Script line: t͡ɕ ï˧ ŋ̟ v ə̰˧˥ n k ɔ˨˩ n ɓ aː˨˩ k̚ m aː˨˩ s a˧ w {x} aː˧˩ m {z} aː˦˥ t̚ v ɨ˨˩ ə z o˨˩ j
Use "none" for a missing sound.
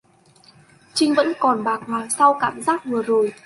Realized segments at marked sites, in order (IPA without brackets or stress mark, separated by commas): k, z